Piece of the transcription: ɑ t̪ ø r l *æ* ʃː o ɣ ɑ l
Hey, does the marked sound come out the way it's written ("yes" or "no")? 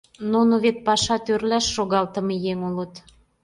yes